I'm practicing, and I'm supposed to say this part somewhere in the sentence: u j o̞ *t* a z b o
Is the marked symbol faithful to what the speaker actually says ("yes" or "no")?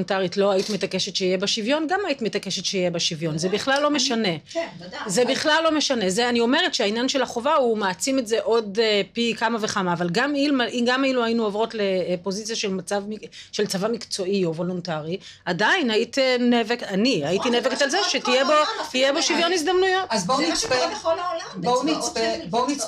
yes